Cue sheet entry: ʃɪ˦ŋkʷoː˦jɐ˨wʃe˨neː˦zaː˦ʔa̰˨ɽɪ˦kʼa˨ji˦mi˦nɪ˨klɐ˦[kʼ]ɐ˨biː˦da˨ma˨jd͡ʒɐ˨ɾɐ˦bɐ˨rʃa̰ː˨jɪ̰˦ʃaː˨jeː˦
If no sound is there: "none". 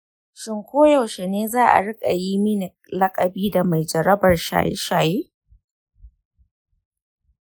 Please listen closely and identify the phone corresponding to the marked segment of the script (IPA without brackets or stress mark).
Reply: kʼ